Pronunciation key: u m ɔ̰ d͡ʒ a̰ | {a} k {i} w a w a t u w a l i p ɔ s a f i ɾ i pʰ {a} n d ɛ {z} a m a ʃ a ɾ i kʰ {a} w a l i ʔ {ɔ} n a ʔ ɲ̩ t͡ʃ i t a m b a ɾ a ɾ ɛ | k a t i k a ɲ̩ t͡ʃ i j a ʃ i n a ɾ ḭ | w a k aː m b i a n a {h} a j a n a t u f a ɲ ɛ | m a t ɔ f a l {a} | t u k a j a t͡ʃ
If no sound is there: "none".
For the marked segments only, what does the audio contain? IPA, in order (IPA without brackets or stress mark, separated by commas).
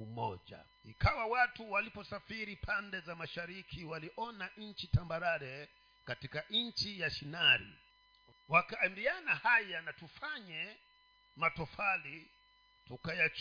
i, a, a, z, i, ɔ, h, i